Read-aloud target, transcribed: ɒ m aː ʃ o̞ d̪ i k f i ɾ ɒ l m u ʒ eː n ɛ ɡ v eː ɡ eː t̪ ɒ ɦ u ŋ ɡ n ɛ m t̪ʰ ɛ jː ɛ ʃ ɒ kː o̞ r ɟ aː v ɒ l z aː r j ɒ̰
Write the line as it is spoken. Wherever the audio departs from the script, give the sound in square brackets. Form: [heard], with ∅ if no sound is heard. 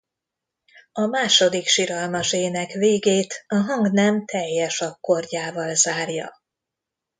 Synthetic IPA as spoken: ɒ m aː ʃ o̞ d̪ i k [ʃ] i ɾ ɒ l m [ɒ] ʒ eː n ɛ [k] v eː ɡ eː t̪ ɒ ɦ [ɒ] ŋ ɡ n ɛ m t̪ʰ ɛ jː ɛ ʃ ɒ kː o̞ r ɟ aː v ɒ l z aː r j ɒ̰

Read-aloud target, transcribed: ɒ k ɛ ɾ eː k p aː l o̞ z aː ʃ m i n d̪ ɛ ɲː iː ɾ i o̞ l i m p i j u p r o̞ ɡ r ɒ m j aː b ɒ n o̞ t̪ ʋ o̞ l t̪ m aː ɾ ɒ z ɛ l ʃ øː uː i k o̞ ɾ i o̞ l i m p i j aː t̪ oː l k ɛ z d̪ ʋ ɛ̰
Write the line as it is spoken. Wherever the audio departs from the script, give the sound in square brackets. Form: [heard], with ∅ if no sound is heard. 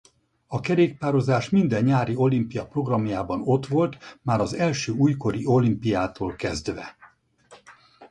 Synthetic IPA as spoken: ɒ k ɛ ɾ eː k p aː [ɾ] o̞ z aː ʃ m i n d̪ ɛ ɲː [aː] ɾ i o̞ l i m p i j [ɒ] p r o̞ ɡ r ɒ m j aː b ɒ n o̞ t̪ ʋ o̞ l t̪ m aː ɾ ɒ z ɛ l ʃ øː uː [j] k o̞ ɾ i o̞ l i m p i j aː t̪ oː l k ɛ z d̪ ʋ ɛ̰

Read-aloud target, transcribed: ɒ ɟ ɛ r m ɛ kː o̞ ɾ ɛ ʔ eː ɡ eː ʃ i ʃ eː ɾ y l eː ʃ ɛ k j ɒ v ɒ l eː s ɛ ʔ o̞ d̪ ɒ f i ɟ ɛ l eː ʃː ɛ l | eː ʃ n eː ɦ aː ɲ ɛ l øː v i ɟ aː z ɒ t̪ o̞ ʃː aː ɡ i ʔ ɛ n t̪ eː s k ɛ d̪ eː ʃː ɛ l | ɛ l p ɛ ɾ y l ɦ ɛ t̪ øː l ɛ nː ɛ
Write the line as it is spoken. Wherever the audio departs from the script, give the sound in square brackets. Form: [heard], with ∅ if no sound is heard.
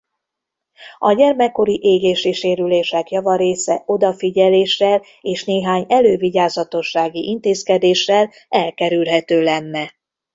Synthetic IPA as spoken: ɒ ɟ ɛ r m ɛ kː o̞ ɾ [i] ʔ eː ɡ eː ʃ i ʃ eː ɾ y l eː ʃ ɛ k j ɒ v ɒ [ɾ] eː s ɛ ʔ o̞ d̪ ɒ f i ɟ ɛ l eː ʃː ɛ l | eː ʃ n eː ɦ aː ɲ ɛ l øː v i ɟ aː z ɒ t̪ o̞ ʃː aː ɡ i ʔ [i] n t̪ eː s k ɛ d̪ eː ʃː ɛ l | ɛ l [k] ɛ ɾ y l ɦ ɛ t̪ øː l ɛ nː ɛ

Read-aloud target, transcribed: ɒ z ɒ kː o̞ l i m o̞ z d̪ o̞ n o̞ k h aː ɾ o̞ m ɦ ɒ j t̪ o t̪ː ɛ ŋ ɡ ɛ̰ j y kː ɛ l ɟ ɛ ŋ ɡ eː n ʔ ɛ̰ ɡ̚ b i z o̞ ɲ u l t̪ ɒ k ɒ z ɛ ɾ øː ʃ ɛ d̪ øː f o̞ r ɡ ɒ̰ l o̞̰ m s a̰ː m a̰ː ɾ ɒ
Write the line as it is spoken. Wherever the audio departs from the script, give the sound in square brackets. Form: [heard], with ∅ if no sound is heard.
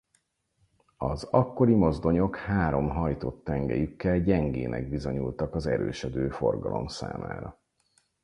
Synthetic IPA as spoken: ɒ z ɒ kː o̞ [ɾ] i m o̞ z d̪ o̞ [ɲ] o̞ k h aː ɾ o̞ m ɦ ɒ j t̪ o t̪ː ɛ ŋ ɡ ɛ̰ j y kː ɛ l ɟ ɛ ŋ ɡ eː n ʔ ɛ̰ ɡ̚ b i z o̞ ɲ u l t̪ ɒ k ɒ z ɛ ɾ øː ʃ ɛ d̪ øː f o̞ r ɡ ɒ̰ l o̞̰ m s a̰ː m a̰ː ɾ ɒ

